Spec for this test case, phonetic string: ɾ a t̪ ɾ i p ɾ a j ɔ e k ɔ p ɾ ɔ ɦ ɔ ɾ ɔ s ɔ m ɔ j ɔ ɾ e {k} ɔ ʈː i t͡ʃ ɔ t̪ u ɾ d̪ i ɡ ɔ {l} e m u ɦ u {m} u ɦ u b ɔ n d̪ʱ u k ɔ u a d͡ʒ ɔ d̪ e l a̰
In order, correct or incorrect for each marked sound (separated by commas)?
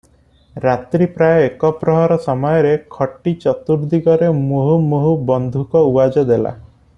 incorrect, incorrect, correct